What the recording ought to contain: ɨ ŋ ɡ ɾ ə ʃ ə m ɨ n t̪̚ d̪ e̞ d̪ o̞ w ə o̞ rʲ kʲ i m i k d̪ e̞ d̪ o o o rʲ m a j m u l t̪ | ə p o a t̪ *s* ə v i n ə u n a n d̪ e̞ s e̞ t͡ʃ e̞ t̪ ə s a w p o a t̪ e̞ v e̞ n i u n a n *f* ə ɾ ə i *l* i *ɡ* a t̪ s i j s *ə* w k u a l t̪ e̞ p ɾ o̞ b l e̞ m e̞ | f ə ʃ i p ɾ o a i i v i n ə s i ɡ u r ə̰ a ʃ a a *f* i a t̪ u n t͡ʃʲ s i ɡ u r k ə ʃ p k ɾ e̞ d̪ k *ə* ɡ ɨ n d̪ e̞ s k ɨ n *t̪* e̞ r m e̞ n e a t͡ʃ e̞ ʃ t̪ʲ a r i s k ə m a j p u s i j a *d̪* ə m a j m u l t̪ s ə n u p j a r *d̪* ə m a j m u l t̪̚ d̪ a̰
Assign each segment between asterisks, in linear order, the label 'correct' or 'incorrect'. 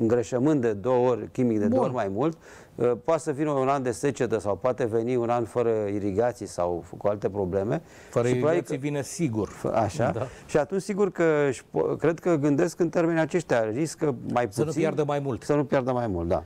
correct, correct, incorrect, correct, incorrect, incorrect, correct, correct, correct, correct

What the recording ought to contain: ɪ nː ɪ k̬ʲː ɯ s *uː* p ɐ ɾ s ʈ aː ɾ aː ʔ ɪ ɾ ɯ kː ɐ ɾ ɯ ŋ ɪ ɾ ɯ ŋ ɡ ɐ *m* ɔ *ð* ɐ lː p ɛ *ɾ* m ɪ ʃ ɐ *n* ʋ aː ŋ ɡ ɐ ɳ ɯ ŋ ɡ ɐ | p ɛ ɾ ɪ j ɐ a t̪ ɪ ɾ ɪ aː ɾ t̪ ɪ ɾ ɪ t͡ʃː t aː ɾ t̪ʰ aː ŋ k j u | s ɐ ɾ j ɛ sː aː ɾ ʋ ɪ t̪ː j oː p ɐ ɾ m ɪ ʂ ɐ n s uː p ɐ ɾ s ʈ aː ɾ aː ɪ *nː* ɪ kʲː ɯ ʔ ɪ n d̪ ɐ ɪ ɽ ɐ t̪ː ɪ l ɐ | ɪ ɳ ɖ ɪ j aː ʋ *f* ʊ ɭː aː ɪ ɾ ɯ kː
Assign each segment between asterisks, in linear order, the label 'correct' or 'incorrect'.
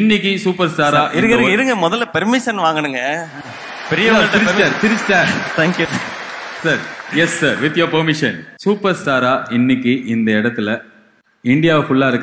correct, correct, correct, correct, correct, correct, correct

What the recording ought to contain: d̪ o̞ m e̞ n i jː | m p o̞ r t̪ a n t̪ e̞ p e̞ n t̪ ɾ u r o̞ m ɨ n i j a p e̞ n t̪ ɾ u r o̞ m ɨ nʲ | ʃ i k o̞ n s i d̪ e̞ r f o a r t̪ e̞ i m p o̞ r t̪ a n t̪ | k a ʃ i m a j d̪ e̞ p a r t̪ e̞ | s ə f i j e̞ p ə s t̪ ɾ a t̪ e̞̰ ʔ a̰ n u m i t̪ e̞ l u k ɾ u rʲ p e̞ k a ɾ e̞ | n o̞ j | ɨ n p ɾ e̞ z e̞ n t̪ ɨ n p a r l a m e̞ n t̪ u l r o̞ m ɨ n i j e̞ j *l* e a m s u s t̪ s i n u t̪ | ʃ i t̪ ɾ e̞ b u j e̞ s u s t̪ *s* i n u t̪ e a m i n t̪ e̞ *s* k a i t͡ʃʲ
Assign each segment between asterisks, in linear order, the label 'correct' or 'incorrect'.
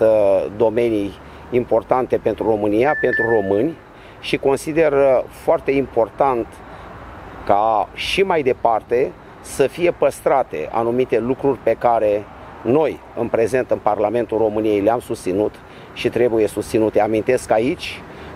correct, correct, correct

